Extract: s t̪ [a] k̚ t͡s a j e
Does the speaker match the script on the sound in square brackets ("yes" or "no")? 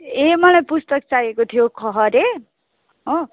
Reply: no